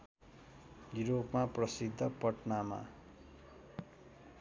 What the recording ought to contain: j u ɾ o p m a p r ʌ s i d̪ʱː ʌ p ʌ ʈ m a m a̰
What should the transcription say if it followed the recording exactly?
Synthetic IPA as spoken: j u ɾ o p m a p r ʌ s i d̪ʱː ʌ p ʌ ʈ n a m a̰

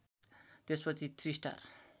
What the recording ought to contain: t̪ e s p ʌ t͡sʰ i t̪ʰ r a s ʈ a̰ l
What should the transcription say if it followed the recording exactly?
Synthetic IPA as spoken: t̪ e s p ʌ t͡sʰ i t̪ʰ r i s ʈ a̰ r

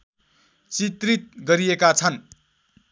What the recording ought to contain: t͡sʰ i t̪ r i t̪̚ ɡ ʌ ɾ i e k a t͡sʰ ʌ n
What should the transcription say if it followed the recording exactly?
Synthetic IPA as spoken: t͡s i t̪ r i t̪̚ ɡ ʌ ɾ i e k a t͡sʰ ʌ n

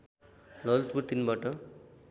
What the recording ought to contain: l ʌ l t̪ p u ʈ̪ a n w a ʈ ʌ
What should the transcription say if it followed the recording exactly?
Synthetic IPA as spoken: l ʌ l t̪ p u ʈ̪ i n b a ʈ ʌ

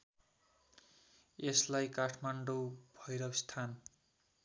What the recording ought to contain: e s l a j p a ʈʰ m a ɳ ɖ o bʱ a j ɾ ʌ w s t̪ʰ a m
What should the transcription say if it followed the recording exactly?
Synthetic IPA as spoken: e s l a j k a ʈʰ m a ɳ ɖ o bʱ ʌ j ɾ ʌ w s t̪ʰ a n

